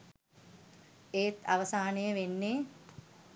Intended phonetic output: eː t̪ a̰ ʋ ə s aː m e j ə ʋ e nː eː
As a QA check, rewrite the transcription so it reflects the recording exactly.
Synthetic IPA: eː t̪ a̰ ʋ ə s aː n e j ə ʋ e nː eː